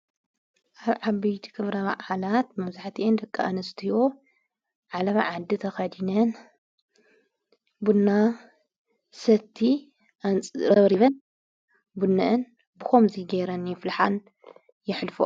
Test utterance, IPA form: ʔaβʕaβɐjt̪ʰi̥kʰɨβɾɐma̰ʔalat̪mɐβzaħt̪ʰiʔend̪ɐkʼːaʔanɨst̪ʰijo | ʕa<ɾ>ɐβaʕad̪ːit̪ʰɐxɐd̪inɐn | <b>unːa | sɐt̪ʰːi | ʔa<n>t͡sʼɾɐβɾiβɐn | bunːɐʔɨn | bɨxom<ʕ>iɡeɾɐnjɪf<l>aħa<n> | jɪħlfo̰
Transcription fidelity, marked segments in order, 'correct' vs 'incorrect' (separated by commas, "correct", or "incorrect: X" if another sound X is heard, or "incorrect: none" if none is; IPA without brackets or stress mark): incorrect: l, correct, correct, incorrect: z, correct, correct